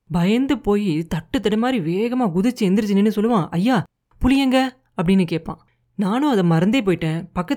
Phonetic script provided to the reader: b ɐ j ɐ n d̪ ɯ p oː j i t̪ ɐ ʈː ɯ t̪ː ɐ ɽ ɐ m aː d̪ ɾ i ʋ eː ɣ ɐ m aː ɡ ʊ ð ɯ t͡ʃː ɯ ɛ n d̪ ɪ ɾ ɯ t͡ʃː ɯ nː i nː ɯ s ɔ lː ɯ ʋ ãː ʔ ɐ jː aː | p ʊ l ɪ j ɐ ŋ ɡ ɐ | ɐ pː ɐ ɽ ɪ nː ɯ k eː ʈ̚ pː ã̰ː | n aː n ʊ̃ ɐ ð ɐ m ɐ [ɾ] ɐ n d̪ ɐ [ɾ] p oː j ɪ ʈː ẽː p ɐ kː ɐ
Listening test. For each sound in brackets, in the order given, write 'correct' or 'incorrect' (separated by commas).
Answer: correct, incorrect